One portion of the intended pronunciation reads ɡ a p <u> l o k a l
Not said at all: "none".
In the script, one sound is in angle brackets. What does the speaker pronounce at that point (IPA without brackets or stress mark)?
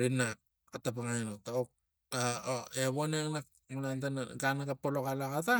o